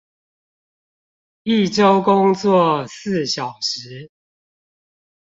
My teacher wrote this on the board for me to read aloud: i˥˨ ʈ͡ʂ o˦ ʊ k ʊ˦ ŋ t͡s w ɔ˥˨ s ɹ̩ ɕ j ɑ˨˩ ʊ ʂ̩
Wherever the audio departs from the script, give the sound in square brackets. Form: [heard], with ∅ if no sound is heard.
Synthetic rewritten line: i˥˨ ʈ͡ʂ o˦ ʊ k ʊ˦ ŋ t͡s w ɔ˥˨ s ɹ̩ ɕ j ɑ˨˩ ʊ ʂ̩